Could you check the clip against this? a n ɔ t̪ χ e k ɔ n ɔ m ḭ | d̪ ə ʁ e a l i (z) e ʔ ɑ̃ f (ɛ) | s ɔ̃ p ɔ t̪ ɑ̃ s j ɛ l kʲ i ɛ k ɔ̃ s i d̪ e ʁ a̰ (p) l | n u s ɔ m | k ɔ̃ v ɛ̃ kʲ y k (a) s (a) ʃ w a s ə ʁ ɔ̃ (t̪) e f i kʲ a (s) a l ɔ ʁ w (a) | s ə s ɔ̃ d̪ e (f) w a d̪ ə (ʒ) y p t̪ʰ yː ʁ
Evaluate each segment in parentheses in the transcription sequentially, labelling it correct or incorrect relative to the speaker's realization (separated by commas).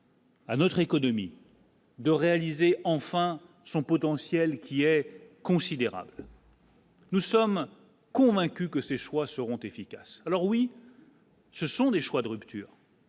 correct, incorrect, incorrect, incorrect, incorrect, correct, correct, incorrect, incorrect, incorrect